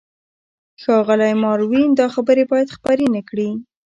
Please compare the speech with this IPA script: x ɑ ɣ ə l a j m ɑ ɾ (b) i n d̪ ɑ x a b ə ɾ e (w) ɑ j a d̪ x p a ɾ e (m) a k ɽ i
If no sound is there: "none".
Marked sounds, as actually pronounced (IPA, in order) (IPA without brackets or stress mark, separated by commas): w, b, n